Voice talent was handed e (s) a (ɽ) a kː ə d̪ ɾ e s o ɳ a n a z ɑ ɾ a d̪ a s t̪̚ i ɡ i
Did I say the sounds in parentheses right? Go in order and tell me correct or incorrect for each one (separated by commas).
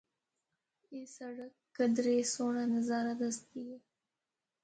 correct, correct